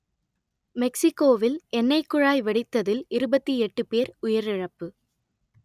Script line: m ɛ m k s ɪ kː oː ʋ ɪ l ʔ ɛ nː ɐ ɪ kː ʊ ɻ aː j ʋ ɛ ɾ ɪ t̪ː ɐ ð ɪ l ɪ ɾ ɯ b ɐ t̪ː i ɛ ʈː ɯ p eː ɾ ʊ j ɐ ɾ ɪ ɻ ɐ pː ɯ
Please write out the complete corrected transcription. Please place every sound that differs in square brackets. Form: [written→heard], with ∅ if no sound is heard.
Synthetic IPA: m ɛ [m→∅] k s ɪ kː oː ʋ ɪ l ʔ ɛ nː ɐ ɪ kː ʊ ɻ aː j ʋ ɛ [ɾ→ɽ] ɪ t̪ː ɐ ð ɪ l ɪ ɾ ɯ b ɐ t̪ː i ɛ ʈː ɯ p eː ɾ ʊ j ɐ ɾ ɪ ɻ ɐ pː ɯ